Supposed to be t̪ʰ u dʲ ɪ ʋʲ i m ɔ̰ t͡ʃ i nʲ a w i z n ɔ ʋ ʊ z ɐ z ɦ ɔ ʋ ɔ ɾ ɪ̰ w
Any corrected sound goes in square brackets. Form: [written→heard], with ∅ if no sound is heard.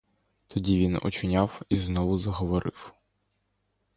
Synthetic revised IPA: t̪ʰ [u→ɔ] dʲ [ɪ→i] ʋʲ i [m→n] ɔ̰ t͡ʃ [i→ɪ] nʲ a w i z n ɔ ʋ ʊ z ɐ [z→∅] ɦ ɔ ʋ ɔ ɾ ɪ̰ w